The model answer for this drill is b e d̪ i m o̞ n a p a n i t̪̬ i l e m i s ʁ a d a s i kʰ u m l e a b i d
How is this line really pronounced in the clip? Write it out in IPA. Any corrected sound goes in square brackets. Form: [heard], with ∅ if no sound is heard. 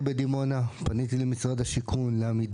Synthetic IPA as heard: b e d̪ i m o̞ n a p a n i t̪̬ i l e m i s ʁ a d a [ʃ] i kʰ u [n] l e a [m] i d